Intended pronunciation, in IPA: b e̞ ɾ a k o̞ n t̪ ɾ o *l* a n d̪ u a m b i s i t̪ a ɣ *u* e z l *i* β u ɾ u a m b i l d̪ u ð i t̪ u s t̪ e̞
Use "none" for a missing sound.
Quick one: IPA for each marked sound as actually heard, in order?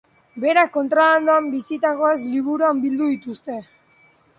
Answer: l, o, i

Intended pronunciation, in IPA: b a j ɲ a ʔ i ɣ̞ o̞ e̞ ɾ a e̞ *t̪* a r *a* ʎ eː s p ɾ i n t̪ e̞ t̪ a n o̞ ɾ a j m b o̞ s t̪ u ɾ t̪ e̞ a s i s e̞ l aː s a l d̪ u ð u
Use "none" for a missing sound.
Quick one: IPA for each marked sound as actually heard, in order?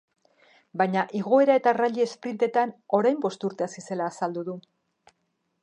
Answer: t̪, a

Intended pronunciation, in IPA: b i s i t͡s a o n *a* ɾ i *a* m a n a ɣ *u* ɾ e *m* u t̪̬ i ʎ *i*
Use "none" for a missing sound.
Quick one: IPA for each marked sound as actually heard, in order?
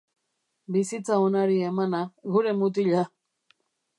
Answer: a, e, u, m, a

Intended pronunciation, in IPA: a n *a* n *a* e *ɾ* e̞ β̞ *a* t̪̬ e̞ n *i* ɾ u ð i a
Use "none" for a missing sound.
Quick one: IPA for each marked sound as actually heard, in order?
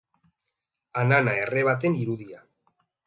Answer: a, a, r, a, i

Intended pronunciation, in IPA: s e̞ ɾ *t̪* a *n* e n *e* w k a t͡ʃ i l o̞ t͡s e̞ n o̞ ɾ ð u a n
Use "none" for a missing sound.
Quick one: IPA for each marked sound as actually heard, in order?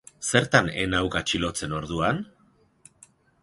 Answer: t̪, n, a

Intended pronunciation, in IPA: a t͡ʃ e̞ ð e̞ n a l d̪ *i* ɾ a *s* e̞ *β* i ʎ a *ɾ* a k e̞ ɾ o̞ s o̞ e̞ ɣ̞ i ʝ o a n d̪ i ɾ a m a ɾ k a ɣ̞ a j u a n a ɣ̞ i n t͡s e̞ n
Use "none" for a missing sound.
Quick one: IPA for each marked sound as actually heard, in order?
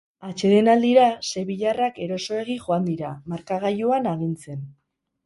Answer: i, s, β, r

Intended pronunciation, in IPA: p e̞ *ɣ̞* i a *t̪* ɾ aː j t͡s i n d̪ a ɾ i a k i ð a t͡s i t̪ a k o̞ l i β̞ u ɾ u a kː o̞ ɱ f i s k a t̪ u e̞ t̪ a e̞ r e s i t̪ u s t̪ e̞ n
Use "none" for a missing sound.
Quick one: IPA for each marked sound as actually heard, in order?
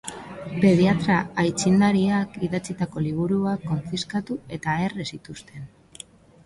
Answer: ð̞, t̪

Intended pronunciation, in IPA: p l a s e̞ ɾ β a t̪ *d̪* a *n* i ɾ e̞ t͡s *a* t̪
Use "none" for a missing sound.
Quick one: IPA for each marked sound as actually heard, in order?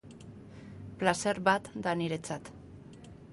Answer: d̪, n, a

